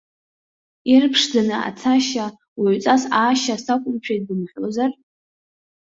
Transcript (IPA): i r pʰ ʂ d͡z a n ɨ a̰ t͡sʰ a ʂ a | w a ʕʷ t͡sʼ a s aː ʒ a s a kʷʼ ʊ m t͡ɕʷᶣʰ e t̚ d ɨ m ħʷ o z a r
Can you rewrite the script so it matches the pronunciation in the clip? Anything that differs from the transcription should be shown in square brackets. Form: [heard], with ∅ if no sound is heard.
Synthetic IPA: i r pʰ ʂ d͡z a n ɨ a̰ t͡sʰ a [ʃ] a | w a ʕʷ t͡sʼ a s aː [ʃ] a s a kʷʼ ʊ m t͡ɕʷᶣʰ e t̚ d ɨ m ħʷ o z a r